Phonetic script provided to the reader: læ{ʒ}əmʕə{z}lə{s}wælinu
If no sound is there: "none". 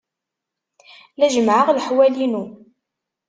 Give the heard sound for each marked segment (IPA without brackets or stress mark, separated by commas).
ʒ, ʁ, ħ